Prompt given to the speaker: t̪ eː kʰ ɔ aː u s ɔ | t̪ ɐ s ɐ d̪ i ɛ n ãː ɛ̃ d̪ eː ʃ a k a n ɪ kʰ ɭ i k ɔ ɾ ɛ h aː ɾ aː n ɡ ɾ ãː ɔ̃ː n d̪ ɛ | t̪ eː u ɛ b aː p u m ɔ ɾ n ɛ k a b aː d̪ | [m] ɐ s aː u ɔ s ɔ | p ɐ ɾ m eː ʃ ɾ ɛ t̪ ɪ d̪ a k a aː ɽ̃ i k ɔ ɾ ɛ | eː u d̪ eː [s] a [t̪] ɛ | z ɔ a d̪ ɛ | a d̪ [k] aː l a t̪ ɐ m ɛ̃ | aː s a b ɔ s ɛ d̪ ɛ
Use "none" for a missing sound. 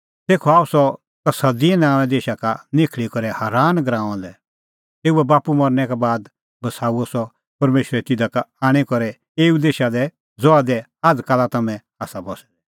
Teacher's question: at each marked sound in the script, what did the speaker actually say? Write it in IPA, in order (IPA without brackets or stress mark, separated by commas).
b, ʃ, d̪, k